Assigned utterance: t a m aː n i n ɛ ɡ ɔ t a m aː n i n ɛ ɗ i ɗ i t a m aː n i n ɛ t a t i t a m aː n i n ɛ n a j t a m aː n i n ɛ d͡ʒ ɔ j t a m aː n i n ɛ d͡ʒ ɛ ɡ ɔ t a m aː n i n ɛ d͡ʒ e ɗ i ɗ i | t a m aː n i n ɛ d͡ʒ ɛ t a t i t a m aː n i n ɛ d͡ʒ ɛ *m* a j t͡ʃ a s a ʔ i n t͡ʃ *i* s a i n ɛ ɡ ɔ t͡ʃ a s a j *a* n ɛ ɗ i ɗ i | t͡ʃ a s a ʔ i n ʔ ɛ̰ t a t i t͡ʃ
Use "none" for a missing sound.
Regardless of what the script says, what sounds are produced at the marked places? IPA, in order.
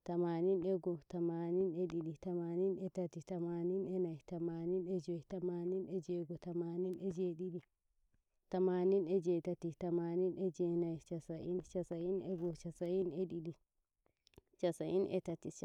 n, a, i

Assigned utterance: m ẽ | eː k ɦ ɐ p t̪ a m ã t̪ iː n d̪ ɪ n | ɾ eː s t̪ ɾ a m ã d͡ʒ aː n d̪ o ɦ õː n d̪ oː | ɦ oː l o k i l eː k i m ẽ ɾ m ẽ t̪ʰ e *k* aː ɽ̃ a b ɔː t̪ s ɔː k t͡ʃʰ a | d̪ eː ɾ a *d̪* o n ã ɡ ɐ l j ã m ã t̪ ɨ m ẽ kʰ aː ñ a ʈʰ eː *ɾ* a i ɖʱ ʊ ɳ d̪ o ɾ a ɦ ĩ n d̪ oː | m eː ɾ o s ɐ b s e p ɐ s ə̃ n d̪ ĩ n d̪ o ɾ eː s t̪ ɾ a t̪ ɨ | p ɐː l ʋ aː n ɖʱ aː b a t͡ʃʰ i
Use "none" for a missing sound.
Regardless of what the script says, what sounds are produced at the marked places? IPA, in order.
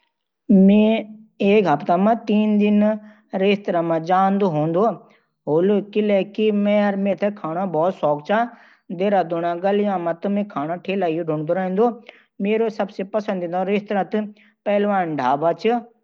kʰ, d̪, l

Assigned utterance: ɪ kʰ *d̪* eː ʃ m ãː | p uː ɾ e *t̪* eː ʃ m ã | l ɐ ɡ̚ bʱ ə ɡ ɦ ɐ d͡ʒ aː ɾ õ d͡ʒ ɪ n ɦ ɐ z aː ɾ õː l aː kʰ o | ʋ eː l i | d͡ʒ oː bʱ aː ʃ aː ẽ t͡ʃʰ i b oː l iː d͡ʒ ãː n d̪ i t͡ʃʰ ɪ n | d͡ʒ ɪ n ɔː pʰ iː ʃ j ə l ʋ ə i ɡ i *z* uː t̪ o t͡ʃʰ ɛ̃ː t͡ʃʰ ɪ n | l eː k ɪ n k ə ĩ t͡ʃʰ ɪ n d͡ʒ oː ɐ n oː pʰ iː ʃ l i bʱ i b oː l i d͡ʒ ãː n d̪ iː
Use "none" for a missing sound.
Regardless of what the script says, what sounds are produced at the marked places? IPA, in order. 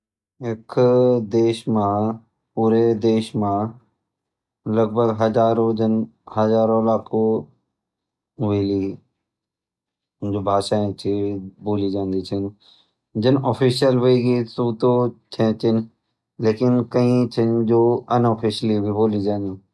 d̪, d̪, s

